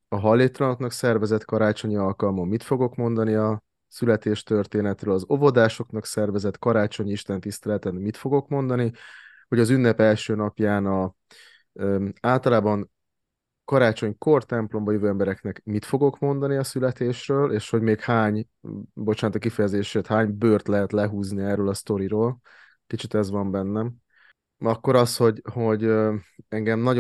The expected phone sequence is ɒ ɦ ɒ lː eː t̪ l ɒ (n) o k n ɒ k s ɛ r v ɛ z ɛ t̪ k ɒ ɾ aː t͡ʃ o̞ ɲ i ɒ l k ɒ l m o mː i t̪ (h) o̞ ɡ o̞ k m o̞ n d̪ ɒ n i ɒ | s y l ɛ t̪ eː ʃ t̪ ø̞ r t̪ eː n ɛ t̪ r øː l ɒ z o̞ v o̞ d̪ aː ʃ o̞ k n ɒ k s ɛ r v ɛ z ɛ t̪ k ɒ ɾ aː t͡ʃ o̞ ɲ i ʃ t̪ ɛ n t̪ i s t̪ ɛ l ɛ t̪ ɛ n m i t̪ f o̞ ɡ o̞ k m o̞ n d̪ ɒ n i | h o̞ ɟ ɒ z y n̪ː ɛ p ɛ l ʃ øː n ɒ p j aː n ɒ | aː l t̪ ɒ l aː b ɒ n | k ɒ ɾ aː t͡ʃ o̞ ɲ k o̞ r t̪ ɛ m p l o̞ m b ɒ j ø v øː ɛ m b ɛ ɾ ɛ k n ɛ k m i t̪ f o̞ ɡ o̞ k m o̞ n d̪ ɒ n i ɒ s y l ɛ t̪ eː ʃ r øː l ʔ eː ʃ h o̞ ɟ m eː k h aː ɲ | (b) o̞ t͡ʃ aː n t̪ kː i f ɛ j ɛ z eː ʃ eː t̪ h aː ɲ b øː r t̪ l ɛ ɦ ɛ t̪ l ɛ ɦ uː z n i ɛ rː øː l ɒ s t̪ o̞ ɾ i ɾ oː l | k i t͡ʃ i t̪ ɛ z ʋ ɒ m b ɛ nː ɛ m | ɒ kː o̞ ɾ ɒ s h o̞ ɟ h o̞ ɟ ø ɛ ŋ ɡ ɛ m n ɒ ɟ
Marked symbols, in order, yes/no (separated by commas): yes, no, yes